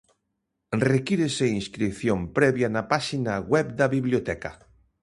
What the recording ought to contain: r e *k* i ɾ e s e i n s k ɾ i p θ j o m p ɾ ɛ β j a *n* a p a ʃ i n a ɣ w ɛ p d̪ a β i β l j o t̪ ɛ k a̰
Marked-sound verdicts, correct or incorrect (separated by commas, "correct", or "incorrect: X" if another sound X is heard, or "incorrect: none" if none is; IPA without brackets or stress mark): correct, correct